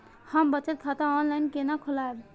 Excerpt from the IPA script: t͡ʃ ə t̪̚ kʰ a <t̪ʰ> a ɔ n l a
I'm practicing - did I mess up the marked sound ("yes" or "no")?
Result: yes